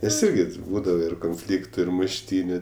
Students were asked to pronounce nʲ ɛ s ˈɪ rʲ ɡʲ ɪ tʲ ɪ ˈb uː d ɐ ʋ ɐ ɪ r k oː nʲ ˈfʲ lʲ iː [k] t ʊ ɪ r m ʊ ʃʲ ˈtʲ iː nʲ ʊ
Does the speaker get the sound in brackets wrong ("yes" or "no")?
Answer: no